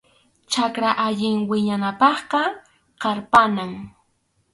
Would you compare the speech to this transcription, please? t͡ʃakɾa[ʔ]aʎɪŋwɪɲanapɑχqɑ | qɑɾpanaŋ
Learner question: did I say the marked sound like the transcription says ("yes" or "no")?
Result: yes